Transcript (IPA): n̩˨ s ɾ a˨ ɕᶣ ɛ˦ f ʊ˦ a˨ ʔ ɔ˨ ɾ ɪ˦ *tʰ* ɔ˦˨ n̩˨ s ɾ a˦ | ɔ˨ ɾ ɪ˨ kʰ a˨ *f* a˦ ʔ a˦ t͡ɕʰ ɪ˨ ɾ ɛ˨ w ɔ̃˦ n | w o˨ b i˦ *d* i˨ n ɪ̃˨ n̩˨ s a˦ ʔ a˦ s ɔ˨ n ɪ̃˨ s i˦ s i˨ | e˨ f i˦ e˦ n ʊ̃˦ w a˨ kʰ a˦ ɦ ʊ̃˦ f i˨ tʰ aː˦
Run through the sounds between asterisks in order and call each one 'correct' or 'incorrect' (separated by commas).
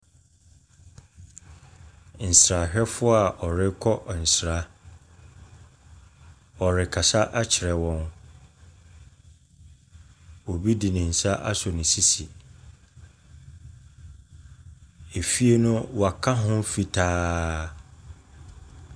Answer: incorrect, incorrect, correct